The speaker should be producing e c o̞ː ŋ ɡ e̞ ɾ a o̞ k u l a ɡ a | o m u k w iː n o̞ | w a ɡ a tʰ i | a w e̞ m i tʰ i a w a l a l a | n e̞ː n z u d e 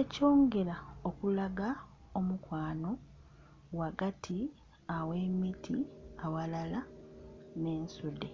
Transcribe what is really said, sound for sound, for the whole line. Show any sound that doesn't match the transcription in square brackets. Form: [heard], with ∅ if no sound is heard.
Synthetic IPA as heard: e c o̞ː ŋ ɡ e̞ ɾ a o̞ k u l a ɡ a | o m u k w [aː] n o̞ | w a ɡ a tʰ i | a w e̞ m i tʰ i a w a l a l a | n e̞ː n [s] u d e